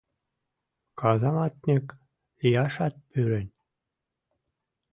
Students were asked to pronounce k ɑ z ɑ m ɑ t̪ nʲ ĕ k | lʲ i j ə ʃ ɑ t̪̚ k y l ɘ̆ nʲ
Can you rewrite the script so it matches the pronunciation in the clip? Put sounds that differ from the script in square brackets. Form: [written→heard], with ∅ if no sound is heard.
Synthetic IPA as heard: k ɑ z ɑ m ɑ t̪ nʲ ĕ k | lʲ i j [ə→ɑ] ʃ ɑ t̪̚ [k→p] y [l→ɾ] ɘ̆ nʲ